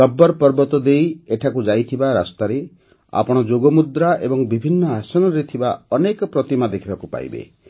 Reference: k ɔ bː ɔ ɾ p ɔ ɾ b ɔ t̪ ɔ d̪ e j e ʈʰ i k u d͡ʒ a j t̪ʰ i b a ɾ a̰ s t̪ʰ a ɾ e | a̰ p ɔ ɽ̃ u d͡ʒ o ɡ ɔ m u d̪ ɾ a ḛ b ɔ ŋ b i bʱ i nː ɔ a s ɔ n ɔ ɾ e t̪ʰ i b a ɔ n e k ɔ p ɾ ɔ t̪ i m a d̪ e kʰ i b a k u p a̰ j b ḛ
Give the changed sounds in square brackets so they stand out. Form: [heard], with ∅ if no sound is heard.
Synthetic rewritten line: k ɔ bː ɔ ɾ p ɔ ɾ b ɔ t̪ ɔ d̪ e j e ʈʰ [a] k u d͡ʒ a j t̪ʰ i b a ɾ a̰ s [t̪] a ɾ e | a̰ p ɔ ɽ̃ [ɔ] d͡ʒ o ɡ ɔ m u d̪ ɾ a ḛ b ɔ ŋ b i bʱ i nː ɔ a s ɔ n ɔ ɾ e t̪ʰ i b a ɔ n e k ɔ p ɾ ɔ t̪ i m a d̪ e kʰ i b a k u p a̰ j b ḛ

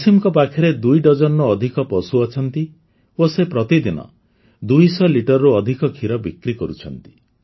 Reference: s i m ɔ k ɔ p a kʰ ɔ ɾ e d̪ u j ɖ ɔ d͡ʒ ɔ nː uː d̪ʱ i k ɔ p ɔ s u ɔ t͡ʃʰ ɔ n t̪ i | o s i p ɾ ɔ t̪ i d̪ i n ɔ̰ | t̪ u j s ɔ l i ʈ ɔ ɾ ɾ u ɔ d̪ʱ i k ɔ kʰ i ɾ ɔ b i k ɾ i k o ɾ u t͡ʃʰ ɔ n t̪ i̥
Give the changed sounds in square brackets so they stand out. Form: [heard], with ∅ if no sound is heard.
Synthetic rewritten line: s i m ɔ k ɔ p a kʰ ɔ ɾ e d̪ u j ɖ ɔ d͡ʒ ɔ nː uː d̪ʱ i k ɔ p ɔ s u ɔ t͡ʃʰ ɔ n t̪ i | o s [e] p ɾ ɔ t̪ i d̪ i n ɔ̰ | [d̪] u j s ɔ l i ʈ ɔ ɾ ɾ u ɔ d̪ʱ i k ɔ kʰ i ɾ ɔ b i k ɾ i k [ɔ] ɾ u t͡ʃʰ ɔ n t̪ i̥

